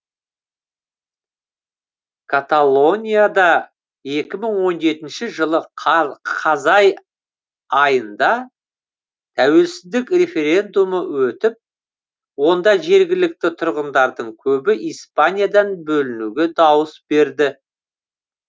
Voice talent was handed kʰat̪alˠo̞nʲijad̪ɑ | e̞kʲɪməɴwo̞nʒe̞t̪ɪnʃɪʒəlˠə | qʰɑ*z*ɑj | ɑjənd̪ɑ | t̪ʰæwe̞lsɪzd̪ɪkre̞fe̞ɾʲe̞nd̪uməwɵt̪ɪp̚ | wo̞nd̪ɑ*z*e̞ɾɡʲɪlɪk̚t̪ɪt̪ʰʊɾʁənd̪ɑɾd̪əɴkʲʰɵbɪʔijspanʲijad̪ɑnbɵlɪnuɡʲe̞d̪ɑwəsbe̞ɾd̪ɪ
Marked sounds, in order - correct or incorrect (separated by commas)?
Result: correct, incorrect